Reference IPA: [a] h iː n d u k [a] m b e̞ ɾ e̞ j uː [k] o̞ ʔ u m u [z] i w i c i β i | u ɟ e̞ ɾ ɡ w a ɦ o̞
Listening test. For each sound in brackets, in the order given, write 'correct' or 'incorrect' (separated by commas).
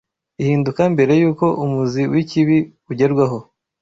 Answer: incorrect, correct, correct, correct